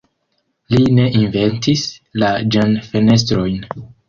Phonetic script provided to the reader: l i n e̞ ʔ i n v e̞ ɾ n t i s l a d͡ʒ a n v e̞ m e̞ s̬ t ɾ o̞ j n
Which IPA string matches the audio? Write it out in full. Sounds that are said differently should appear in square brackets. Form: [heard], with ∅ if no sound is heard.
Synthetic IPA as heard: l i n e̞ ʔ i n v e̞ [∅] n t i s l a d͡ʒ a n [f] e̞ [n] e̞ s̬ t ɾ o̞ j n